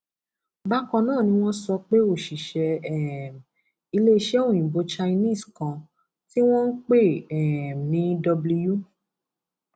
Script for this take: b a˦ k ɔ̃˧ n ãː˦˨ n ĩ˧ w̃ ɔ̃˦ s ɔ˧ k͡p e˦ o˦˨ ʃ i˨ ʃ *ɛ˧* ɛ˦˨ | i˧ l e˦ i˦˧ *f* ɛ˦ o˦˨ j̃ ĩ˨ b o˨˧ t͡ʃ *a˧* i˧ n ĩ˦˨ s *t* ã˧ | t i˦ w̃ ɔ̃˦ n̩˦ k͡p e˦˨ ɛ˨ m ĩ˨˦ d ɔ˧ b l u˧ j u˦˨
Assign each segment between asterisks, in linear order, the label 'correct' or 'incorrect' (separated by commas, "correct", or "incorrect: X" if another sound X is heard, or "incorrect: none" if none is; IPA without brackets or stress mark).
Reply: correct, incorrect: ʃ, correct, incorrect: k